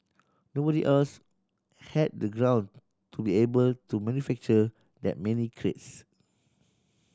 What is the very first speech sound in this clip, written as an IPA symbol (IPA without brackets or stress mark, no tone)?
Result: n